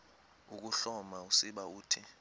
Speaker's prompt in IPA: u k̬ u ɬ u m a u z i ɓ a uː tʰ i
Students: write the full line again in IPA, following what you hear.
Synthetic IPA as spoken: u k̬ u ɬ ɔ m a u s i ɓ a uː tʰ i